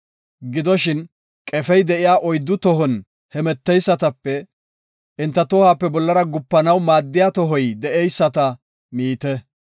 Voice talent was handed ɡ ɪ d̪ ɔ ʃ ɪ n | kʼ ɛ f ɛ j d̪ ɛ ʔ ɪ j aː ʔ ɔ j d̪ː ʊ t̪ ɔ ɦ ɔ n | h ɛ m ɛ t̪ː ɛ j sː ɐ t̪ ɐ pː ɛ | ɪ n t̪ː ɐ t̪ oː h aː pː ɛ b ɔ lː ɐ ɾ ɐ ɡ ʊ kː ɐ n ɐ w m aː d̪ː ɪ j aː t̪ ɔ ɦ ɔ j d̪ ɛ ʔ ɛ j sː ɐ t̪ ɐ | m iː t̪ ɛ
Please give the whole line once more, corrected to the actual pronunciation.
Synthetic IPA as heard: ɡ ɪ d̪ ɔ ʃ ɪ n | kʼ ɛ f ɛ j d̪ ɛ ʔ ɪ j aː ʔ ɔ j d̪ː ʊ t̪ ɔ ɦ ɔ n | h ɛ m ɛ t̪ː ɛ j sː ɐ t̪ ɐ pː ɛ | ɪ n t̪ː ɐ t̪ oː h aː pː ɛ b ɔ lː ɐ ɾ ɐ ɡ ʊ pː ɐ n ɐ w m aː d̪ː ɪ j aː t̪ ɔ ɦ ɔ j d̪ ɛ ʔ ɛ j sː ɐ t̪ ɐ | m iː t̪ ɛ